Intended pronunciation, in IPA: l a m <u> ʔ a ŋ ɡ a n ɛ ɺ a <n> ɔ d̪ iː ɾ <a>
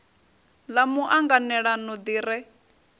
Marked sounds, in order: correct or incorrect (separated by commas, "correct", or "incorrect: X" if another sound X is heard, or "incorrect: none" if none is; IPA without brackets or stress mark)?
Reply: correct, correct, incorrect: ɛ